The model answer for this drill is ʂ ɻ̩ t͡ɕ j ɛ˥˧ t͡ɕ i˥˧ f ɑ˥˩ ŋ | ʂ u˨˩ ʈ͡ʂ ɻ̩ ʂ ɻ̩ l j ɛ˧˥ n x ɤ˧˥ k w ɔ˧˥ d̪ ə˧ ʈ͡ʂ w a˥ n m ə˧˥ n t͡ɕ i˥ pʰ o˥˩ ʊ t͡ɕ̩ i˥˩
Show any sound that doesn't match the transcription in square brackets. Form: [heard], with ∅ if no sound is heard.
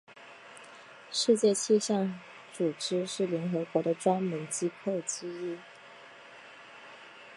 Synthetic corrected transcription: ʂ ɻ̩ t͡ɕ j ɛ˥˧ [t͡ɕʰ] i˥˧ [ɕ] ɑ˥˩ ŋ | [ʈ͡ʂ] u˨˩ ʈ͡ʂ ɻ̩ ʂ ɻ̩ l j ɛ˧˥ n x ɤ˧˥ k w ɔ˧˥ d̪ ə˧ ʈ͡ʂ w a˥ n m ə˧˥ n t͡ɕ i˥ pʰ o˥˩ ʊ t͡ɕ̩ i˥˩